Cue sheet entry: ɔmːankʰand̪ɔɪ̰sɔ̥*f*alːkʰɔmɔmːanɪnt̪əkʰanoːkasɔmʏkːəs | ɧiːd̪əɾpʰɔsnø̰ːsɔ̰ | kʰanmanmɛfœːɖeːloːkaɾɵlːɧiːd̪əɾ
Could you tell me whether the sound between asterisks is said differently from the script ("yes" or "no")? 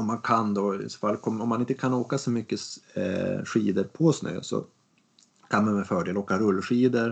no